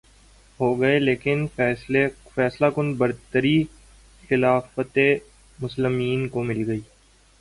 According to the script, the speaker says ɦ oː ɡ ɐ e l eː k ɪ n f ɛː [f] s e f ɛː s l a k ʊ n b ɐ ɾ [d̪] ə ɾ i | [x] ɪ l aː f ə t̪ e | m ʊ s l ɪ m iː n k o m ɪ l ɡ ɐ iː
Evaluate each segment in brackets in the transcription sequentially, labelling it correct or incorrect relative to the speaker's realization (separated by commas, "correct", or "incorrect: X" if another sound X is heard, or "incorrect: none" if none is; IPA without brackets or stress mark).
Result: incorrect: none, incorrect: t̪, correct